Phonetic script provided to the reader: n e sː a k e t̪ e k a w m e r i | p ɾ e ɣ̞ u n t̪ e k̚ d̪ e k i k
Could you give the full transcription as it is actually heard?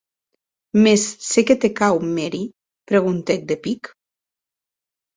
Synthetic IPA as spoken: m e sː e k e t̪ e k a w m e ɾ i | p ɾ e ɣ̞ u n t̪ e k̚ d̪ e p i k